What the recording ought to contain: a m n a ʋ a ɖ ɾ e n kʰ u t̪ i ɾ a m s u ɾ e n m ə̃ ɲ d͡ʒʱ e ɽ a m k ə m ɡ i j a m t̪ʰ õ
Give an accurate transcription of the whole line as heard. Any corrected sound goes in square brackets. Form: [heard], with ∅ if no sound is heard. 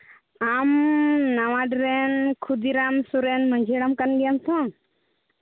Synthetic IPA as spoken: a m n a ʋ a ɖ ɾ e n kʰ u [d̪] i ɾ a m s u ɾ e n m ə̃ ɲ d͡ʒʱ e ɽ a m k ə [n] ɡ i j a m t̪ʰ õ